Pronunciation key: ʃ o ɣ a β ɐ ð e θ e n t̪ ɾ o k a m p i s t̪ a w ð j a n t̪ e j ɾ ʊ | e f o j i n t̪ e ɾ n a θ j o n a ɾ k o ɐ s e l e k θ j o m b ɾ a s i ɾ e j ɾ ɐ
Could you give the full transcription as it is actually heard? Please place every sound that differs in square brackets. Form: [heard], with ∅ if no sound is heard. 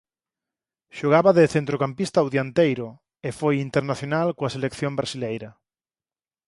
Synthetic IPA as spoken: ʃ o ɣ a β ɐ ð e θ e n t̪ ɾ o k a m p i s t̪ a w ð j a n t̪ e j ɾ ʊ | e f o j i n t̪ e ɾ n a θ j o n a [l] k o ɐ s e l e k θ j o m b ɾ a s i [l] e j ɾ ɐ